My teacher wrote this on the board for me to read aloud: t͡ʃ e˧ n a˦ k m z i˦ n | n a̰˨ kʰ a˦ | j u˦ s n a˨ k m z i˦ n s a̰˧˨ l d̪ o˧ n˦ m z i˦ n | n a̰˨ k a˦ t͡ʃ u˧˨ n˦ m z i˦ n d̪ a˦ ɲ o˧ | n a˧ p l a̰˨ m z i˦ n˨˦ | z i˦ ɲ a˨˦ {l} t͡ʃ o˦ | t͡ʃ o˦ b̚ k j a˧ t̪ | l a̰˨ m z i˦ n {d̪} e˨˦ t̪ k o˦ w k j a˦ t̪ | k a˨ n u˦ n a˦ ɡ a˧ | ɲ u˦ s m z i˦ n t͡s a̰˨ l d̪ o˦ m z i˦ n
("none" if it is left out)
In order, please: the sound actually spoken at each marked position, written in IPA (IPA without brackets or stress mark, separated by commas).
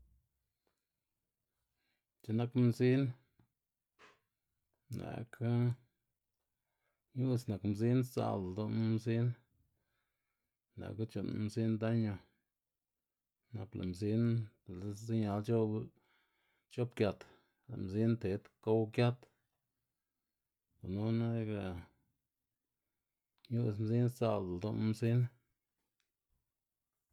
l, t̪